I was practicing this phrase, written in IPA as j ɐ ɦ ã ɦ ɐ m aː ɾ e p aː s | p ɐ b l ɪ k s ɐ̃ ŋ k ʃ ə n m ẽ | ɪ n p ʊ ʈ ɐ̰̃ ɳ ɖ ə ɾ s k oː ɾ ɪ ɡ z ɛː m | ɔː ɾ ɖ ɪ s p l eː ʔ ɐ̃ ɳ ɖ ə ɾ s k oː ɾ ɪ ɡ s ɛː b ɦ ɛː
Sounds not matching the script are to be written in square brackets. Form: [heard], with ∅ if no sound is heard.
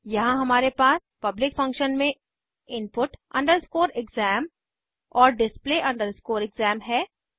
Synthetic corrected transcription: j ɐ ɦ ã ɦ ɐ m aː ɾ e p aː s | p ɐ b l ɪ k [f] ɐ̃ ŋ k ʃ ə n m ẽ | ɪ n p ʊ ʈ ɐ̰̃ ɳ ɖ ə ɾ s k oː ɾ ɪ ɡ z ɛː m | ɔː ɾ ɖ ɪ s p l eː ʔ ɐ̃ ɳ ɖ ə ɾ s k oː ɾ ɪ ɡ [z] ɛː [m] ɦ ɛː